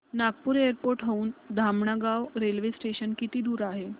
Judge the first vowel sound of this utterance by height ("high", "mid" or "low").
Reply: low